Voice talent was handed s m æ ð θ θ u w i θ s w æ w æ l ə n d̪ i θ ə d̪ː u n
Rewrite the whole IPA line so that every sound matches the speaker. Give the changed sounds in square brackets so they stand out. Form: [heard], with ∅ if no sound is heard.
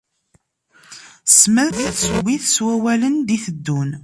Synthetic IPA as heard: s m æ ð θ [s] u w i θ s w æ w æ l ə n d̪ i θ ə d̪ː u n